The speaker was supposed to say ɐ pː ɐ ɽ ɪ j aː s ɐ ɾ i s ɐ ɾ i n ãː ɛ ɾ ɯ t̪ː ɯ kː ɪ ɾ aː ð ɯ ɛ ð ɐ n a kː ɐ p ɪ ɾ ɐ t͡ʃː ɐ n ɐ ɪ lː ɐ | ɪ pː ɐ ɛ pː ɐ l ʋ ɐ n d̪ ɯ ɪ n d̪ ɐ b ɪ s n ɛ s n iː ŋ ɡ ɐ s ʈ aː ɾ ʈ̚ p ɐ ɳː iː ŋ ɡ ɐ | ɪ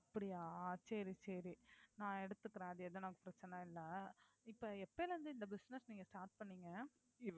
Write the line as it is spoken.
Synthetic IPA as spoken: ɐ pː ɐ ɽ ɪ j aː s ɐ ɾ i s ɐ ɾ i n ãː ɛ ɽ ɯ t̪ː ɯ kː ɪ ɾ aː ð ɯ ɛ ð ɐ n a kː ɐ p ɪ ɾ ɐ t͡ʃː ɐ n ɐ ɪ lː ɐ | ɪ pː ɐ ɛ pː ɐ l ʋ ɐ n d̪ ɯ ɪ n d̪ ɐ b ɪ s n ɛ s n iː ŋ ɡ ɐ s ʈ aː ɾ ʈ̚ p ɐ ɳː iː ŋ ɡ ɐ | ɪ